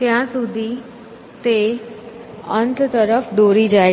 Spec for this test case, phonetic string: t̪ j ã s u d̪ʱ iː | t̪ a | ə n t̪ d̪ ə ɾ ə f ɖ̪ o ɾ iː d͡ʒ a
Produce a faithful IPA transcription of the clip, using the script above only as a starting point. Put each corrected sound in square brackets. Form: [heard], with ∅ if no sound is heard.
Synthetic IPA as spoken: t̪ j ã s u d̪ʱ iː | t̪ [e] | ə n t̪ [t̪] ə ɾ ə f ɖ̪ o ɾ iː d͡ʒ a